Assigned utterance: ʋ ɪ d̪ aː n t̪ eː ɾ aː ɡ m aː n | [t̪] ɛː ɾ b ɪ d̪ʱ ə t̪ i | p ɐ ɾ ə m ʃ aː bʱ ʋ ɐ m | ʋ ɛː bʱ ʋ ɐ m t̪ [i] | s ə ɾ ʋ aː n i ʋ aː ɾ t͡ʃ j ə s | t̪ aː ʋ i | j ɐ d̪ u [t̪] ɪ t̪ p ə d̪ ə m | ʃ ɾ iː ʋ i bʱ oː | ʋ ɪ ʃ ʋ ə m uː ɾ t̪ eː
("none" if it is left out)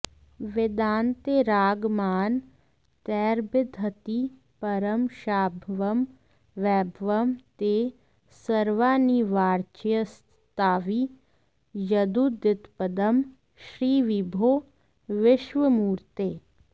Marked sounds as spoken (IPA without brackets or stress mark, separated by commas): t̪, e, d̪